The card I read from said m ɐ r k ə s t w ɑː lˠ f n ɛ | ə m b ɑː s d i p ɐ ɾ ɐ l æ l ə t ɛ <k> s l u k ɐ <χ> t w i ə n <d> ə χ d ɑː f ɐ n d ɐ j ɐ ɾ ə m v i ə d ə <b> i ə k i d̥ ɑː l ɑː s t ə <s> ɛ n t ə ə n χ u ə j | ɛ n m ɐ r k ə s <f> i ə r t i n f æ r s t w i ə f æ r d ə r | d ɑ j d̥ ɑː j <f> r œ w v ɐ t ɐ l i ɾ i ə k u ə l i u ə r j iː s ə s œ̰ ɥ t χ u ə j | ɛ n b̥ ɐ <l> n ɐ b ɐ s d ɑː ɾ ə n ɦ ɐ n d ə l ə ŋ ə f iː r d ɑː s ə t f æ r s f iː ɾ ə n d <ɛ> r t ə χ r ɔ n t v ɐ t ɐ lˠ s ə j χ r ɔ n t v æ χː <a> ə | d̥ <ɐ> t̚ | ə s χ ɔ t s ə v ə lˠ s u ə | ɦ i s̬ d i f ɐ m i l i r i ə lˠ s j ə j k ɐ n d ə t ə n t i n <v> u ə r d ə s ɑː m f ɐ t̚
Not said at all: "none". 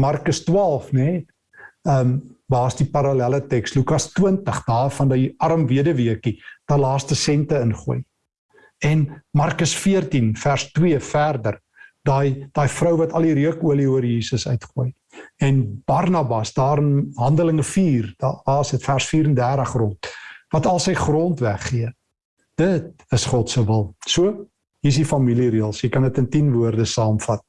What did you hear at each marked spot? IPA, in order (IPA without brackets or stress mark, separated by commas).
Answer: k, s, t, v, s, f, f, r, æ, i, ə, v